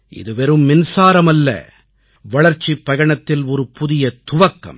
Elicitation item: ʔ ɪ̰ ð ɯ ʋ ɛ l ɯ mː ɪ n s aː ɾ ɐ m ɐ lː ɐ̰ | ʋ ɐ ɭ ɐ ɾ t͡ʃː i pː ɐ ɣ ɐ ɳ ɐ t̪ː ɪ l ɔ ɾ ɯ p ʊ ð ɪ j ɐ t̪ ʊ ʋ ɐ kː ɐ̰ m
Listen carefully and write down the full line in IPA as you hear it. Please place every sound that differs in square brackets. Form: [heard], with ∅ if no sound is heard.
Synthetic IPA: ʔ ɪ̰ ð ɯ ʋ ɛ [ɾ] ɯ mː ɪ n s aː ɾ ɐ m ɐ lː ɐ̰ | ʋ ɐ ɭ ɐ ɾ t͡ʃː i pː ɐ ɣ ɐ ɳ ɐ t̪ː ɪ l ɔ ɾ ɯ p ʊ ð ɪ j ɐ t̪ ʊ ʋ ɐ kː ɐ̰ m